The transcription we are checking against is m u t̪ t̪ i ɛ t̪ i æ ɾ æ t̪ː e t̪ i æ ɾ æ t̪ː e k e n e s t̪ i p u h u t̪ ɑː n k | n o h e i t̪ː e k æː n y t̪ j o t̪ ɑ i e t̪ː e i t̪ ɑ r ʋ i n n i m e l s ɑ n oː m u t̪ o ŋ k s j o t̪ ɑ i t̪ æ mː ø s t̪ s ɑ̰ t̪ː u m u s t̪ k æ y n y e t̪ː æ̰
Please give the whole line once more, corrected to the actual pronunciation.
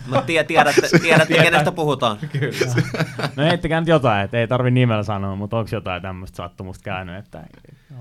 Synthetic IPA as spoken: m u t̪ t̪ i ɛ t̪ i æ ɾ æ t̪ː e t̪ i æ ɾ æ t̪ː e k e n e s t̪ æ p u h u t̪ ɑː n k | n o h e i t̪ː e k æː n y t̪ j o t̪ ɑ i e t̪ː e i t̪ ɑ r ʋ i n n i m e l s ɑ n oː m u t̪ o ŋ k s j o t̪ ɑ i t̪ æ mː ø s t̪ s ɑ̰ t̪ː u m u s t̪ k æ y n y e t̪ː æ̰